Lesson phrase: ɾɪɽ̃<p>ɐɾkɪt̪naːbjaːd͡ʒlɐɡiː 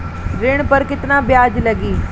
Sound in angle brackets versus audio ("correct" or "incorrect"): correct